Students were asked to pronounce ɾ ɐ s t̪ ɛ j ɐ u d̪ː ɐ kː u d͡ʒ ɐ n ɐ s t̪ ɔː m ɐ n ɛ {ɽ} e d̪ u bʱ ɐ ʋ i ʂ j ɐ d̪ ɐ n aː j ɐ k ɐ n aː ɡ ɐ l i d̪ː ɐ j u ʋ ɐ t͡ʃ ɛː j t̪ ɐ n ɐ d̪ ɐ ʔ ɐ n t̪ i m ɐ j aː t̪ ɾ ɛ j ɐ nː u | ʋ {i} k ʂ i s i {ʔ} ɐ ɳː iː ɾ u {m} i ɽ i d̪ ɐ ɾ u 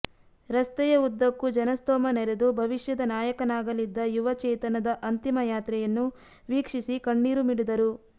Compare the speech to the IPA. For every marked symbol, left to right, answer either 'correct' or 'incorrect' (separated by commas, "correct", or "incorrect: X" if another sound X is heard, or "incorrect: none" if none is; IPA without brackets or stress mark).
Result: incorrect: ɾ, incorrect: iː, incorrect: k, correct